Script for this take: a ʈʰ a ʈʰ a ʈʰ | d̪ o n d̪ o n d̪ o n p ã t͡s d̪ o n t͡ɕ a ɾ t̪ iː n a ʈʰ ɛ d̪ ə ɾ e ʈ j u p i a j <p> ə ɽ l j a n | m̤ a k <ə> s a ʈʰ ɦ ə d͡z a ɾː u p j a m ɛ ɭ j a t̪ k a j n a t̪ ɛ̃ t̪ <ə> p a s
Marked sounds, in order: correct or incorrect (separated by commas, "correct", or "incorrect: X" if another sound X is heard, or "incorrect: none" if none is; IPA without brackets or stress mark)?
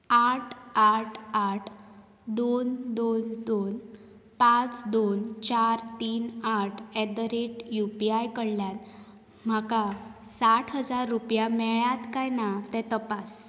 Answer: incorrect: k, incorrect: a, correct